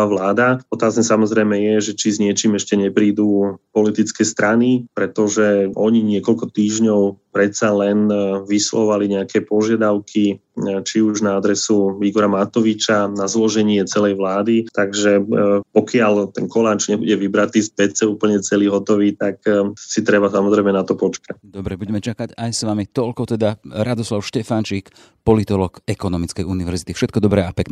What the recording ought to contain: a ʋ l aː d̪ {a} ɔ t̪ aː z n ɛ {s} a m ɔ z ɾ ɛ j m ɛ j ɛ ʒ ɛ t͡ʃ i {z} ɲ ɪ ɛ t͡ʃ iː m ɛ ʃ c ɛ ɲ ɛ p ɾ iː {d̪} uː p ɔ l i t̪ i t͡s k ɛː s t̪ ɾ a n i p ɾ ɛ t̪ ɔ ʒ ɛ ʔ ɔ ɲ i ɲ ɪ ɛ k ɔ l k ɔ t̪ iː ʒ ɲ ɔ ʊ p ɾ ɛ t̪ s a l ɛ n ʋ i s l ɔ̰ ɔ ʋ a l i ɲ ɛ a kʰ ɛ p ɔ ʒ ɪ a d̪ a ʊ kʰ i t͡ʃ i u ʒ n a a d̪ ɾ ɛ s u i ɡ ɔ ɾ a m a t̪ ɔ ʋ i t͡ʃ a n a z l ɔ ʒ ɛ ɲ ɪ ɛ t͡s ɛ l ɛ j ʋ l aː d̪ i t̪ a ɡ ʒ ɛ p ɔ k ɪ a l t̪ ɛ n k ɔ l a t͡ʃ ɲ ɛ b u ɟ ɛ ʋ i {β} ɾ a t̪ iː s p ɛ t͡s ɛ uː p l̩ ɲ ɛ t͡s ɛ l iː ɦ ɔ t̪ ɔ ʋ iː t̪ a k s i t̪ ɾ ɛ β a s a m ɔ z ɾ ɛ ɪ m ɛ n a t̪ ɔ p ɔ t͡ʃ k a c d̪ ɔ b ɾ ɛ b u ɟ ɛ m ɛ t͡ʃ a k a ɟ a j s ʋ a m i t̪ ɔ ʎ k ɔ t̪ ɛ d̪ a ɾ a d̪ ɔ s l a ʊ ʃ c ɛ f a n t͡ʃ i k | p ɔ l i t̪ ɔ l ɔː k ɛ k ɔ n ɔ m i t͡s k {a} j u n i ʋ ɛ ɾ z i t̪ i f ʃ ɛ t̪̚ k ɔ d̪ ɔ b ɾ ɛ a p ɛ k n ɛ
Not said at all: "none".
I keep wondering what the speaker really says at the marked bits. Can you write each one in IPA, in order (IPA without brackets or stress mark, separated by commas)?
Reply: a, s, z, d̪, b, ɛ